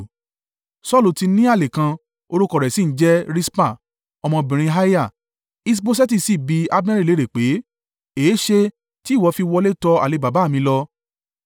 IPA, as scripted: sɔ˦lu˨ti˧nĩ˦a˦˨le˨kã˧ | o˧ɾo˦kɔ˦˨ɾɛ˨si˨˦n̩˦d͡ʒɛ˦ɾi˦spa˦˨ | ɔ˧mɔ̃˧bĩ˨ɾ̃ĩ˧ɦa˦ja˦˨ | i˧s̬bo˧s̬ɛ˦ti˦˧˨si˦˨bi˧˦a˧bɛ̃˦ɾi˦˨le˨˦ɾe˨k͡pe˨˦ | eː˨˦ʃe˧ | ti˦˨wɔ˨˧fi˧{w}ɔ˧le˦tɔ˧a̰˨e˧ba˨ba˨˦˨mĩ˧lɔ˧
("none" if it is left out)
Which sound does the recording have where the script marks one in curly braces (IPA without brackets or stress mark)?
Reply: w